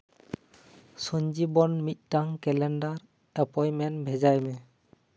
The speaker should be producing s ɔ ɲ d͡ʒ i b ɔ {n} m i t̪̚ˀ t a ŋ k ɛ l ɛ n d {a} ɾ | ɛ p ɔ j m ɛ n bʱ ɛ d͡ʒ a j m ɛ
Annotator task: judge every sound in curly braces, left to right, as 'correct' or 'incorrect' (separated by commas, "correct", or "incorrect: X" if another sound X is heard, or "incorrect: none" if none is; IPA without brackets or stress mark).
correct, correct